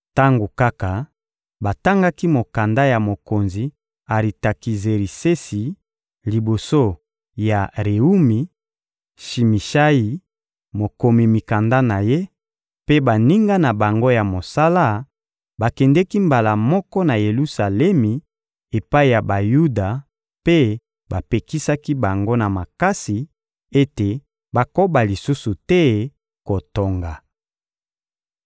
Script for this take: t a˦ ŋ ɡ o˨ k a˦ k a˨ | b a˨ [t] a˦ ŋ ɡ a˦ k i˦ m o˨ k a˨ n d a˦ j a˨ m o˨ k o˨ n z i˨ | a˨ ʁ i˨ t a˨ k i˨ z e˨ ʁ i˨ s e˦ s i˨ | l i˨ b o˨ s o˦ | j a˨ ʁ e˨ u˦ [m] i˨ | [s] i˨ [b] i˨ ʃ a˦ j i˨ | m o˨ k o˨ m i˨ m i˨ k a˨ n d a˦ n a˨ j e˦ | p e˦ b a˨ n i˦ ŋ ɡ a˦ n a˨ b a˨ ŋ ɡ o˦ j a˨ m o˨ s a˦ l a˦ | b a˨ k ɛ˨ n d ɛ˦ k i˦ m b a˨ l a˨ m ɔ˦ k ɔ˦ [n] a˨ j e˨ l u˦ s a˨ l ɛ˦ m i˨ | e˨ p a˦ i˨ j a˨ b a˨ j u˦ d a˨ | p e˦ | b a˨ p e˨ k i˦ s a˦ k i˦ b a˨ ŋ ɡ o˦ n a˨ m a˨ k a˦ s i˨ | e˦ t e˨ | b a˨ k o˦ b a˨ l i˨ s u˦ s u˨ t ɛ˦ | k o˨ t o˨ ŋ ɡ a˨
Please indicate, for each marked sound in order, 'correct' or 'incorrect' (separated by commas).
correct, correct, incorrect, incorrect, correct